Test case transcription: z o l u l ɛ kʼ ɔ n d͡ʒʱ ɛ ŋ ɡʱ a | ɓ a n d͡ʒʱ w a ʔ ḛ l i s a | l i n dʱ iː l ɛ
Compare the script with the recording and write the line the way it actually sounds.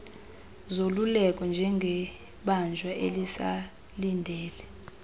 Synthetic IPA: z o l u l ɛ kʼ ɔ n d͡ʒʱ ɛ ŋ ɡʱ ɛ | ɓ a n d͡ʒʱ w a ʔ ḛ l i s a | l i n dʱ ɛː l ɛ